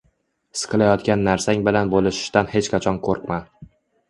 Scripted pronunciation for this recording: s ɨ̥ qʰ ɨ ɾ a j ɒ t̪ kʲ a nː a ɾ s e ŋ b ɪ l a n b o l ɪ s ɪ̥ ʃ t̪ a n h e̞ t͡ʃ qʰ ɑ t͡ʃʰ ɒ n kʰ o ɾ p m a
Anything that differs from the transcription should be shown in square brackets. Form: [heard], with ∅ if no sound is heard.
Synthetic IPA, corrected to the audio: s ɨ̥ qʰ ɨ [l] a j ɒ t̪ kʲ a nː a ɾ s [a] ŋ b ɪ l a n b o l ɪ [ʃ] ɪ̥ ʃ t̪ a n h e̞ t͡ʃ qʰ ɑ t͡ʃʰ ɒ n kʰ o ɾ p m a

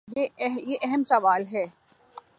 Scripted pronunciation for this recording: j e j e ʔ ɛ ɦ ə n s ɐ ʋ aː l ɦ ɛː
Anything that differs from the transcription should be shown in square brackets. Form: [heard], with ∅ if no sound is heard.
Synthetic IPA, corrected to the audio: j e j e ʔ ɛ ɦ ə [m] s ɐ ʋ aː l ɦ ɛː

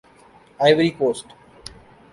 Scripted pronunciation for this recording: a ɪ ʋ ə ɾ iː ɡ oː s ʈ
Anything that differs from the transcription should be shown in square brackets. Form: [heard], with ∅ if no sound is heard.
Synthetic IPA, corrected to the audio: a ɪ ʋ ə ɾ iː [k] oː s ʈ

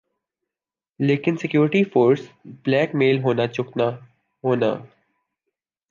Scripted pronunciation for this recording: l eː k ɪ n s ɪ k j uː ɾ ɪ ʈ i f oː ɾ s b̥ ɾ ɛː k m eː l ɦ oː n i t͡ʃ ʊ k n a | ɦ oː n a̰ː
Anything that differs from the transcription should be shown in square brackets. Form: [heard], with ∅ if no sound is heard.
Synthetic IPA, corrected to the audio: l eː k ɪ n s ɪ k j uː ɾ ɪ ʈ i f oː ɾ s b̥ [l] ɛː k m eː l ɦ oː n [a] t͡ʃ ʊ k n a | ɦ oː n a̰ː

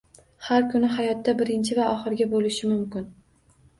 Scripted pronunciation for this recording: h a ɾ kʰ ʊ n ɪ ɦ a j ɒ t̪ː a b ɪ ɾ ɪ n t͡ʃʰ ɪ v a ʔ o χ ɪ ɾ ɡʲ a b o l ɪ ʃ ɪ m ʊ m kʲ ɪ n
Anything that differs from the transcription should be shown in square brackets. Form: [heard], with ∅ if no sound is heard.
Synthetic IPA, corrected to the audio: h a ɾ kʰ ʊ n ɪ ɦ a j ɒ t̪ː a b ɪ ɾ ɪ n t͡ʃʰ ɪ v a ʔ [ɒ] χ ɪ ɾ ɡʲ a b o l ɪ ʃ ɪ m ʊ m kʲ ɪ n

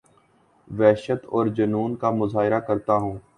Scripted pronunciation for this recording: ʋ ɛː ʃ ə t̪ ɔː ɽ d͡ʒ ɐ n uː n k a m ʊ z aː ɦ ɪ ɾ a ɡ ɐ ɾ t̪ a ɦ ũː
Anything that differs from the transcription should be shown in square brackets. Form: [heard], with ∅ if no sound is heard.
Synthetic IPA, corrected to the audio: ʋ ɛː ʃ ə t̪ ɔː [ɾ] d͡ʒ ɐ n uː n k a m ʊ z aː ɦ ɪ ɾ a [k] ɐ ɾ t̪ a ɦ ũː

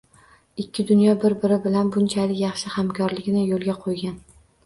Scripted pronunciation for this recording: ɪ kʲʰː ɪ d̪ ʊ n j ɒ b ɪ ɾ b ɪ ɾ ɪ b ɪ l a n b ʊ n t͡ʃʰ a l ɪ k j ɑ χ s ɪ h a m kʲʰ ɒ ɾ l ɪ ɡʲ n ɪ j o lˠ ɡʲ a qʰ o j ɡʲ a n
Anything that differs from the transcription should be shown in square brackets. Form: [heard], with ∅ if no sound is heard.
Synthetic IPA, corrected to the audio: ɪ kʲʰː ɪ d̪ ʊ n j ɒ b ɪ ɾ b ɪ ɾ ɪ b ɪ l a n b ʊ n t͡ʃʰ a l ɪ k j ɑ χ [ʃ] ɪ h a m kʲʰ ɒ ɾ l ɪ ɡʲ n ɪ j o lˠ ɡʲ a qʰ o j ɡʲ a n

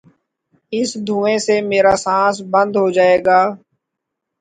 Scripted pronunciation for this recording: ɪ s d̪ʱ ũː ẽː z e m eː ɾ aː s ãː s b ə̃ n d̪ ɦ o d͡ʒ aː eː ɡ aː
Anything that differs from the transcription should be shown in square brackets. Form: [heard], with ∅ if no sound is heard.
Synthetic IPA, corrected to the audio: ɪ s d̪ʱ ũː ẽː [s] e m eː ɾ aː s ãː s b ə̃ n d̪ ɦ o d͡ʒ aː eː ɡ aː

